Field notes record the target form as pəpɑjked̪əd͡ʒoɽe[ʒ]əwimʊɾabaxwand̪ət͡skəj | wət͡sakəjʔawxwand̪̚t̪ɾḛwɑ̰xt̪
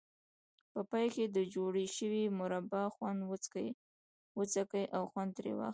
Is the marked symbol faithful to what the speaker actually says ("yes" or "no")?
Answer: no